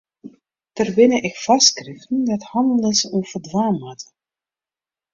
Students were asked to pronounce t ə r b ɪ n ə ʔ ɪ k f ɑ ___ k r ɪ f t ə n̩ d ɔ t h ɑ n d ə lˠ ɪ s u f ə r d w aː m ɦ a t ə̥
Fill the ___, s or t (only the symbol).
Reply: s